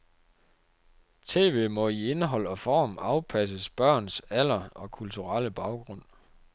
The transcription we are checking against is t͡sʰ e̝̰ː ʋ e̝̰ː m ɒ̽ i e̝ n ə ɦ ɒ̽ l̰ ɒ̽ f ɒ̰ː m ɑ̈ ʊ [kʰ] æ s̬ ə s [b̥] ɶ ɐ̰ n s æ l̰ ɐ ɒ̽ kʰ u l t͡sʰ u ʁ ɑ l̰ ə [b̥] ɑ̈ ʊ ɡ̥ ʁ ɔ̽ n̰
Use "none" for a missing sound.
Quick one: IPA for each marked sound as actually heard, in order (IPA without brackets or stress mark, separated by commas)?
pʰ, b̥, b̥